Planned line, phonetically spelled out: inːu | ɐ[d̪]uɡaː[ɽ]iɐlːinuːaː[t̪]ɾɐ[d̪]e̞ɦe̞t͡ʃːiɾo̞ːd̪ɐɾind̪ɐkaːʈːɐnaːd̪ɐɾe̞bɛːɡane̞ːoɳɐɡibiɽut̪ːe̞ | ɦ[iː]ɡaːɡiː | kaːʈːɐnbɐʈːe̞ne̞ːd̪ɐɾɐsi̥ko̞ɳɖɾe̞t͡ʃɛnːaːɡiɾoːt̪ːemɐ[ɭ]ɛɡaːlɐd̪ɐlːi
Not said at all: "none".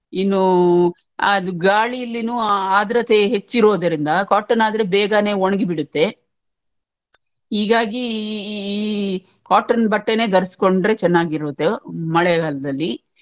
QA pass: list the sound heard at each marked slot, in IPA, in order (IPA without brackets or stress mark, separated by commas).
d̪, ɭ, d̪, t̪, iː, ɭ